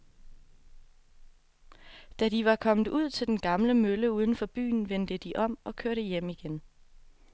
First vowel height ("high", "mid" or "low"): low